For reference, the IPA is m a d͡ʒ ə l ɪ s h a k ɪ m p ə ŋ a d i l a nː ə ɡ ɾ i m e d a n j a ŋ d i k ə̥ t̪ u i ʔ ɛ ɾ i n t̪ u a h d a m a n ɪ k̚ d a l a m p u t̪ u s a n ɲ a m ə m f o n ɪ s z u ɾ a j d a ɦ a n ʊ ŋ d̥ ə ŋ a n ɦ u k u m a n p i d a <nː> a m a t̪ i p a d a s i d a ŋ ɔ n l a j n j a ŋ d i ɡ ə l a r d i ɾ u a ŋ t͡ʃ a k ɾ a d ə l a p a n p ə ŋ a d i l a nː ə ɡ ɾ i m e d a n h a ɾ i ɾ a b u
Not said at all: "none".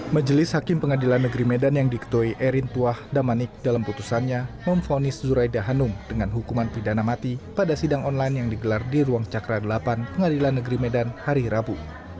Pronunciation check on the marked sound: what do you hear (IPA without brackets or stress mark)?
n